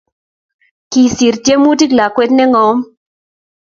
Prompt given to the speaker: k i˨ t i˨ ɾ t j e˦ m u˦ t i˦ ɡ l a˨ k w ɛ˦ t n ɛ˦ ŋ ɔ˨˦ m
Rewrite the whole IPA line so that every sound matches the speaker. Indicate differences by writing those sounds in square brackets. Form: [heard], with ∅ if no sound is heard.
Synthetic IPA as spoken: k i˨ [s] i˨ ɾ t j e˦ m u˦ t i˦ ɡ l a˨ k w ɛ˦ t n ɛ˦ ŋ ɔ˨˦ m